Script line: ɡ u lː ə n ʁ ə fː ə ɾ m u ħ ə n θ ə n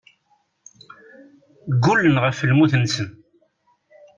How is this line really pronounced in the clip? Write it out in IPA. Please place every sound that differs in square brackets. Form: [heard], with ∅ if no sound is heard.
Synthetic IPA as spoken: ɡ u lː ə n ʁ ə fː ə [l] m u [θ] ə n [s] ə n

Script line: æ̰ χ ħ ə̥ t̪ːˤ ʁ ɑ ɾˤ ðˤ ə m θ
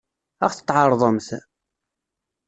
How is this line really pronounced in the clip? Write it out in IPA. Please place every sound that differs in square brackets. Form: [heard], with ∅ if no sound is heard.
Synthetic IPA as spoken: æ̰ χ [θ] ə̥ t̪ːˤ [ʕ] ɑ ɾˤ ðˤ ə m θ

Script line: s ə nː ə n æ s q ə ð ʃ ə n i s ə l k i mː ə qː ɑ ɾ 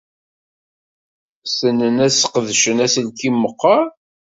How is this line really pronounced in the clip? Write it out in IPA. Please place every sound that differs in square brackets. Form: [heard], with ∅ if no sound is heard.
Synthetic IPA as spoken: s ə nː ə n æ s q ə ð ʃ ə n [æ] s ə l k i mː ə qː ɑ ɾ

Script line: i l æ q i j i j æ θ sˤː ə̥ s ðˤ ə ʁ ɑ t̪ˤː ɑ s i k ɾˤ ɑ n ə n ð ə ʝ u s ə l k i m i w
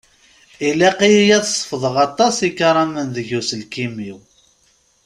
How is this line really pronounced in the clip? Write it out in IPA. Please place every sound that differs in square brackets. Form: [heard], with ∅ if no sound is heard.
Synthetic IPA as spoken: i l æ q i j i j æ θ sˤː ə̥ [f] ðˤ ə ʁ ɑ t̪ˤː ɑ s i k ɾˤ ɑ [m] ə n ð ə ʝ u s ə l k i m i w

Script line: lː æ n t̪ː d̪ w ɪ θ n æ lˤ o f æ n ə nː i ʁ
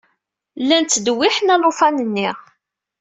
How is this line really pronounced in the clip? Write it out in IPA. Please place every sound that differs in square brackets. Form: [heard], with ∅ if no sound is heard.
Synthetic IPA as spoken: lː æ n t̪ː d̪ w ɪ [ħ] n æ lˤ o f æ n ə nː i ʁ

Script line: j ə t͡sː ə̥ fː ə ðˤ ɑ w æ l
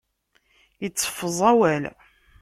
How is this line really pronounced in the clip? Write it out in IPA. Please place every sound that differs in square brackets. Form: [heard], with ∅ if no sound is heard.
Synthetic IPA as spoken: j ə t͡sː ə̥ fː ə [zˤ] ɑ w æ l

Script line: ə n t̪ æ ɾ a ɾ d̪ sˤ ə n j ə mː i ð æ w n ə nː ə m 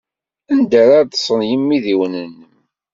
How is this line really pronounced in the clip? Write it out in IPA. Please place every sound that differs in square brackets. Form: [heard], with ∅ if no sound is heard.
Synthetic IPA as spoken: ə n [d̪] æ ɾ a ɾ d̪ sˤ ə n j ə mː i ð [i] w n ə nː ə m

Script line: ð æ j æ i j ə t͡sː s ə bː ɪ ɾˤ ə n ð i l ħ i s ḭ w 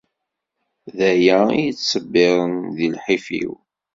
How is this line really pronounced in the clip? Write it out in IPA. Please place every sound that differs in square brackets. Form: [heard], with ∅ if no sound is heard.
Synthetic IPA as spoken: ð æ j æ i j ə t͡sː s ə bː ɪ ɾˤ ə n ð i l ħ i [f] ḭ w

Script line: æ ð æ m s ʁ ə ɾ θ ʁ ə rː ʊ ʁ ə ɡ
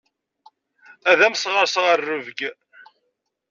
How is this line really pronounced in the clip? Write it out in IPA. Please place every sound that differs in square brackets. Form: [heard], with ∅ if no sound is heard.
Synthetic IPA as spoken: æ ð æ m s ʁ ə ɾ [s] ʁ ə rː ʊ [v] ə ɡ

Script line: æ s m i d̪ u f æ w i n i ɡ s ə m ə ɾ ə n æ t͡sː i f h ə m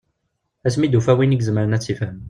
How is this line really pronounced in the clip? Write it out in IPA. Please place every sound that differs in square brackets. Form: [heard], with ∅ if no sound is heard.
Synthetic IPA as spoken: æ s m i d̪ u f æ w i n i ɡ [z] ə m ə ɾ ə n æ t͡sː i f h ə m

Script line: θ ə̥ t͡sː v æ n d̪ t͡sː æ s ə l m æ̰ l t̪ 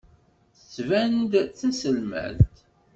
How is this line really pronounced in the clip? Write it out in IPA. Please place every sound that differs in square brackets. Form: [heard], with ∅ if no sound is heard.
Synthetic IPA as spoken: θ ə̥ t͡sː v æ n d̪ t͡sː æ s ə l m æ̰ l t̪

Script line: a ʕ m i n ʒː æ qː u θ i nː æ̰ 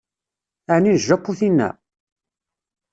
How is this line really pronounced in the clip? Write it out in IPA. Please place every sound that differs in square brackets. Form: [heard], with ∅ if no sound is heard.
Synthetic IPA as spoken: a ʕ [n] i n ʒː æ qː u θ i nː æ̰

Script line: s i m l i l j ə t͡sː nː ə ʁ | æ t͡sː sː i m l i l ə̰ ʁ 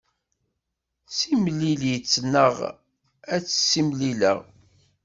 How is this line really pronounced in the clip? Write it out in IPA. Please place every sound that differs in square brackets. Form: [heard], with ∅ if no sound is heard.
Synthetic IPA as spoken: s i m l i l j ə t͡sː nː ə ʁ | æ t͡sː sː i m l i l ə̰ ʁ

